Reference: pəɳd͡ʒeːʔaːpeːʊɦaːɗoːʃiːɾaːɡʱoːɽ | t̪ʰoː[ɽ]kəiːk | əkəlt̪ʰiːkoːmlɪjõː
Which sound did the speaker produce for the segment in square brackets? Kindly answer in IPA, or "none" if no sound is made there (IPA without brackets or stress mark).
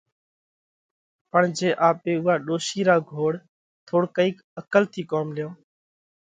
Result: ɽ